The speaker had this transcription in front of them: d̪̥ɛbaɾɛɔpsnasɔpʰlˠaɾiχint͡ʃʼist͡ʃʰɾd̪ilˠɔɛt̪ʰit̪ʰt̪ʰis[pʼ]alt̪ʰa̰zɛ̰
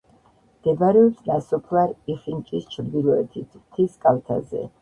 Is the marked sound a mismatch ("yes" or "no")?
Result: yes